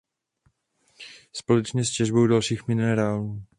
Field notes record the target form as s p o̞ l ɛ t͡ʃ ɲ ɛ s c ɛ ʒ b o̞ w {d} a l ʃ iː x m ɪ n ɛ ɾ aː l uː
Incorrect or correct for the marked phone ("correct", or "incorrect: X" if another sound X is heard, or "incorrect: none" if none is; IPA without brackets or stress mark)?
correct